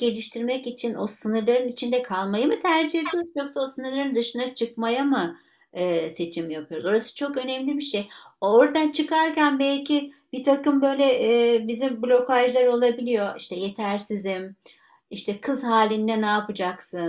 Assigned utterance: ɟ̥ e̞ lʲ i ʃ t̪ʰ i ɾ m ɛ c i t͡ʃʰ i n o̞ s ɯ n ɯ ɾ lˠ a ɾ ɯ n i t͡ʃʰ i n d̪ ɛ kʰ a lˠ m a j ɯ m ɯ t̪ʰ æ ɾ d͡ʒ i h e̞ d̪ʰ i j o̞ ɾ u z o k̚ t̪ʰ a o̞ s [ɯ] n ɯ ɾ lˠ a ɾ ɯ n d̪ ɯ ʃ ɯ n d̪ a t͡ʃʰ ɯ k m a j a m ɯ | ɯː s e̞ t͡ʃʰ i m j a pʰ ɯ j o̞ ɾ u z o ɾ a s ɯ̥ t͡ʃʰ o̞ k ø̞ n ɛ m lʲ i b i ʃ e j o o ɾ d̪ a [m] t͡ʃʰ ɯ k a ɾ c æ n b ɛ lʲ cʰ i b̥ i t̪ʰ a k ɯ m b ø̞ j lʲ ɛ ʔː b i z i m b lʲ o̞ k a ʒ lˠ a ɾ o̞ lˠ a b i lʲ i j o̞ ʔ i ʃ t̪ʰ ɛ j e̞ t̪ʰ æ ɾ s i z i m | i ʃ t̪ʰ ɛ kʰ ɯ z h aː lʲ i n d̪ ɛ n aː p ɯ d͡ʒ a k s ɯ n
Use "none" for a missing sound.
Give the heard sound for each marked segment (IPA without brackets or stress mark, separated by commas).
ɯ, n